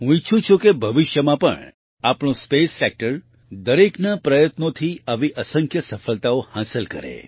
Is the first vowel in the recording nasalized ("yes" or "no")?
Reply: yes